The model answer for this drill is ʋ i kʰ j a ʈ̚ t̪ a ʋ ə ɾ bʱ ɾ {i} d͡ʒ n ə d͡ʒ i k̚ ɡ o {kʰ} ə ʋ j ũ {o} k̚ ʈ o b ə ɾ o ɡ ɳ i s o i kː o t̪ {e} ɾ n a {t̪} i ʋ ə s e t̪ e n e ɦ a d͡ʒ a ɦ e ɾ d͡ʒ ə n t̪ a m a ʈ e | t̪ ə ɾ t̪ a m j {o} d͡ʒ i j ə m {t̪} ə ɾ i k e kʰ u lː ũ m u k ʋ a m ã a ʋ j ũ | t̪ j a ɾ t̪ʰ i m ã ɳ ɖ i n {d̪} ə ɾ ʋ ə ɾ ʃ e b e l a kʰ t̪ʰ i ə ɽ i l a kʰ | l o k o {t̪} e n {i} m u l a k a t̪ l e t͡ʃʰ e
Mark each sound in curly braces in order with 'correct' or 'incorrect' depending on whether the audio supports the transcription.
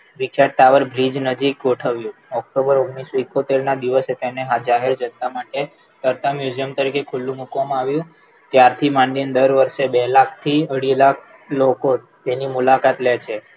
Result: correct, incorrect, incorrect, correct, incorrect, incorrect, correct, correct, correct, correct

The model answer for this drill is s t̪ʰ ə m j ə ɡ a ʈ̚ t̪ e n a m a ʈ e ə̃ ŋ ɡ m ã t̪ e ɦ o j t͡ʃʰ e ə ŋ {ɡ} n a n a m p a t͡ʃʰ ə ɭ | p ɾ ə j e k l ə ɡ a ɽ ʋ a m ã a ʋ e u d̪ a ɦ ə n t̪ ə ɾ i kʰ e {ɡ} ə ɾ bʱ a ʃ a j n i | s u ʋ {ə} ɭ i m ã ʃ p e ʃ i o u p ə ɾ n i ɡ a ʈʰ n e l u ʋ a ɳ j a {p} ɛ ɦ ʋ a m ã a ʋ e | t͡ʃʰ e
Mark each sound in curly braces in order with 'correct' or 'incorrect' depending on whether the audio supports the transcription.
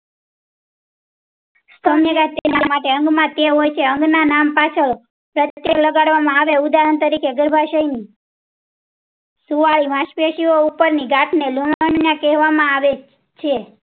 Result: correct, correct, incorrect, incorrect

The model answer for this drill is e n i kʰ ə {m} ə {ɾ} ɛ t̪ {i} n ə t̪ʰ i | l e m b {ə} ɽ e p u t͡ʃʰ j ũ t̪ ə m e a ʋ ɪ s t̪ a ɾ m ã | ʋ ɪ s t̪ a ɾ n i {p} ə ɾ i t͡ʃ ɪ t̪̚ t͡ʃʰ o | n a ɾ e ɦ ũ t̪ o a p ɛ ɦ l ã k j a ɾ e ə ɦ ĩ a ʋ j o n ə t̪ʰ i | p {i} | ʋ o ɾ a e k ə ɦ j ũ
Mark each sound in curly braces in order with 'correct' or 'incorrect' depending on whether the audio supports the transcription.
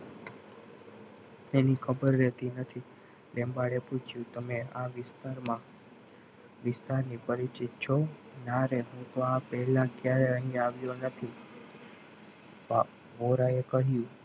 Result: incorrect, incorrect, correct, incorrect, correct, incorrect

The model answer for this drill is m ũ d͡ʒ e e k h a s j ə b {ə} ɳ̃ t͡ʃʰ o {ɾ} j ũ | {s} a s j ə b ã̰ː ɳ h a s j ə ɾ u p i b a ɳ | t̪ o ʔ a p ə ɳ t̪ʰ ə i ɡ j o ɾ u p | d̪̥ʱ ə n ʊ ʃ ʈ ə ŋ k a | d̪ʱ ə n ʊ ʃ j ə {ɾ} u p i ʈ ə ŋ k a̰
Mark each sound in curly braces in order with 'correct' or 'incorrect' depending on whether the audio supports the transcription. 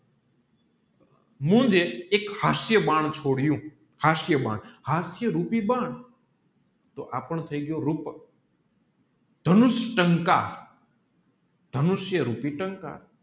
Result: incorrect, incorrect, incorrect, correct

